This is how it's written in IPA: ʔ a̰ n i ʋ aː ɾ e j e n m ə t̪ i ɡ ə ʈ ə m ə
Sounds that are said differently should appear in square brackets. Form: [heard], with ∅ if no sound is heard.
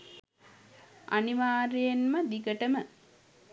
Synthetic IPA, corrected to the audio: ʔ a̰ n i ʋ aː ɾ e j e n m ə [d̪] i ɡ ə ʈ ə m ə